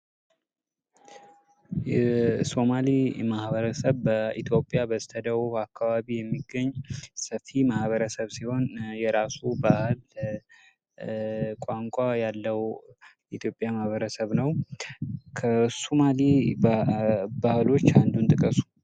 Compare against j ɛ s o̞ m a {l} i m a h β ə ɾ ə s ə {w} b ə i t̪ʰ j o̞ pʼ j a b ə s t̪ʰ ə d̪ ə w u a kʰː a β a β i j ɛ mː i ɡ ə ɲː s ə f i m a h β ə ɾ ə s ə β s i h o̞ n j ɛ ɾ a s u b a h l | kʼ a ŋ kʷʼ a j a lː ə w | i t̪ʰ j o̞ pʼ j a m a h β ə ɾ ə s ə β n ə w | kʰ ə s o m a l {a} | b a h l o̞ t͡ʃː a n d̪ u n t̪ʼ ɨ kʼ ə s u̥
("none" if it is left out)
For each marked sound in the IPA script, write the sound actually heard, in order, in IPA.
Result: l, β, i

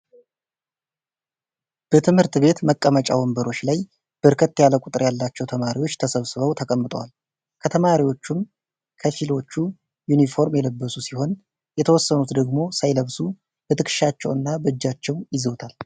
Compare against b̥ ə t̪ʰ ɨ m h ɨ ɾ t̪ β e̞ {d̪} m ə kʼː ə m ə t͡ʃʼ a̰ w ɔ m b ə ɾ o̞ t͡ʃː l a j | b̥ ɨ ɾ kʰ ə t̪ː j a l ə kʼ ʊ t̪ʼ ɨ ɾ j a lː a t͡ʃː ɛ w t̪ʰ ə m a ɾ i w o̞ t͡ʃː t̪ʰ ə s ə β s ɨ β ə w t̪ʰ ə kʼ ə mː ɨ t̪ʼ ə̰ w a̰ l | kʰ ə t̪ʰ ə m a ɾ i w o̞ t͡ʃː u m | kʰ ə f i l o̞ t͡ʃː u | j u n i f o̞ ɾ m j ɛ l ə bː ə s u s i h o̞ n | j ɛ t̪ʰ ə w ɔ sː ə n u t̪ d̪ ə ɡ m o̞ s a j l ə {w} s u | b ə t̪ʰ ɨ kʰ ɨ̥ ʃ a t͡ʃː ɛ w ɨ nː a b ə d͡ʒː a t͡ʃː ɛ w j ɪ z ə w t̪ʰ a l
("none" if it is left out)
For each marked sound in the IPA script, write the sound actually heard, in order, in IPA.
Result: t̪, β

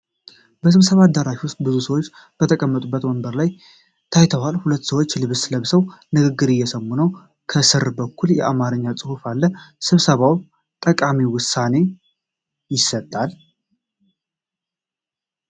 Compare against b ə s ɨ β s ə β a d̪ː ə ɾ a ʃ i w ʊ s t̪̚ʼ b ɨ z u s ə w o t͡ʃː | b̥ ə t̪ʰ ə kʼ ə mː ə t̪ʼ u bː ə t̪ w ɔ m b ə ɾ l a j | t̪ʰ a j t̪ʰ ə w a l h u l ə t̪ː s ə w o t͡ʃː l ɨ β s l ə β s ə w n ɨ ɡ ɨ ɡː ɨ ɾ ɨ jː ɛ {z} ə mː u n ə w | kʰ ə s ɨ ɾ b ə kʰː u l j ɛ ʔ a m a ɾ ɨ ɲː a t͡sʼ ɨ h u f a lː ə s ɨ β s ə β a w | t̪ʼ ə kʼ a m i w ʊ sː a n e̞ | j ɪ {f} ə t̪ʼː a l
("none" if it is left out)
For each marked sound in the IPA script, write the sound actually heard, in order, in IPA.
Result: s, s

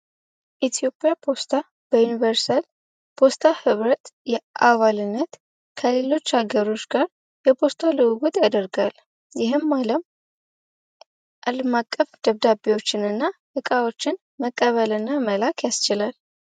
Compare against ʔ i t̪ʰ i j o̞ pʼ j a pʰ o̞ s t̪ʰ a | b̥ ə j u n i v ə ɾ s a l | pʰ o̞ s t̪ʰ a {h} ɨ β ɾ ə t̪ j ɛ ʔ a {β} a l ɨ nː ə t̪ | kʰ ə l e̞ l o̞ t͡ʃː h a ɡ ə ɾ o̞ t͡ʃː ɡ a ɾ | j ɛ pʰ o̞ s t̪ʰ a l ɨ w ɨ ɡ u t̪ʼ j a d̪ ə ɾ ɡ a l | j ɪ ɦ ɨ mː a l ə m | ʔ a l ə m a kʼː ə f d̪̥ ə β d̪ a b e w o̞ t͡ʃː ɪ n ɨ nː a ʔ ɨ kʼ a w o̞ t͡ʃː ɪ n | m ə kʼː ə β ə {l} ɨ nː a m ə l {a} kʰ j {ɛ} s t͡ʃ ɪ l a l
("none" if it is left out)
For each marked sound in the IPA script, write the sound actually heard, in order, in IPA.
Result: h, β, l, a, a

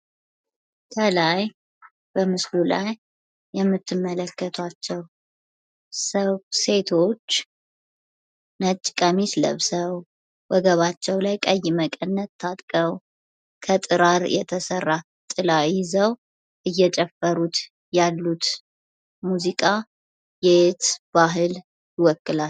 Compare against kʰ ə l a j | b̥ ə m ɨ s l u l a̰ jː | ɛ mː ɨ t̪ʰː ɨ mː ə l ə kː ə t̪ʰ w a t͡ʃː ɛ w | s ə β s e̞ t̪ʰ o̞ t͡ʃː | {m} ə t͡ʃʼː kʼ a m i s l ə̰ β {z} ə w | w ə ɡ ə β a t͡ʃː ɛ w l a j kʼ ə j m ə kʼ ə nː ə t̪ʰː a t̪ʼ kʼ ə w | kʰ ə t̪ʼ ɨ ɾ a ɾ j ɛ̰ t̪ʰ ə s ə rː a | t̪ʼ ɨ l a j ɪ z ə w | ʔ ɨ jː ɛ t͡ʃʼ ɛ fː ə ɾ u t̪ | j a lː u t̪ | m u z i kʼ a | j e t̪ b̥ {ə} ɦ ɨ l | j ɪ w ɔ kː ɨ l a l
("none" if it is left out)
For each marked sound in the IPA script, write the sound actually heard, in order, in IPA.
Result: n, s, a

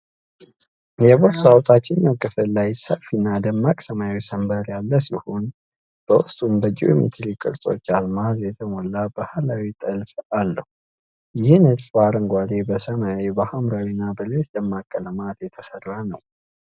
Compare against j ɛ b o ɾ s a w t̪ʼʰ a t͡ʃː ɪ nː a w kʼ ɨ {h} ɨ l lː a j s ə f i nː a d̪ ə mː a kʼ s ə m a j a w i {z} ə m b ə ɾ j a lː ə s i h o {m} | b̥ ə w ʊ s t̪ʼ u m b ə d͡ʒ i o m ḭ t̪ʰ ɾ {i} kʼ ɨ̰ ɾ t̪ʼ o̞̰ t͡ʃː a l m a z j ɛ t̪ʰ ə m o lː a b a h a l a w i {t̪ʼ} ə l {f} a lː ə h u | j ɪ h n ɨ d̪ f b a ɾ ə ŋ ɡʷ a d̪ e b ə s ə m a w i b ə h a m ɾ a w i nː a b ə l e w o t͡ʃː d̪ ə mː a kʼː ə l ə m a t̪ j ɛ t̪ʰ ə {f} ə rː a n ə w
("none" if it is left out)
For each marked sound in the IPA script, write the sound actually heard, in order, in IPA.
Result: f, s, n, i, t̪ʼ, f, s

